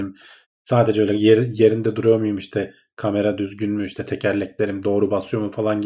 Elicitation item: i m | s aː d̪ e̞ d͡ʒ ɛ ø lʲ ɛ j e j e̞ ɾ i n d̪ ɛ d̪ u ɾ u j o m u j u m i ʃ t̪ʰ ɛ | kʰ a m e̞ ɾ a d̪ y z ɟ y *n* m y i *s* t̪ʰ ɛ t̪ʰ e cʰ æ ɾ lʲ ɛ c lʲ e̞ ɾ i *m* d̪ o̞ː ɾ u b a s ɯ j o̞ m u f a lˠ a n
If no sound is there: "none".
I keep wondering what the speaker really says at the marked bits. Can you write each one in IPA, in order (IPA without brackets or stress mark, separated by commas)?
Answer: n, ʃ, m